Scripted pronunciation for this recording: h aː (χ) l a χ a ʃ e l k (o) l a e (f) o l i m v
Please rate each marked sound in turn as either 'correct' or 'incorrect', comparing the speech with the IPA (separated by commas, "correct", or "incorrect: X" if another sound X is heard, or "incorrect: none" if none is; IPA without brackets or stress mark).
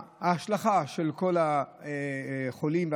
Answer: incorrect: ʃ, correct, incorrect: χ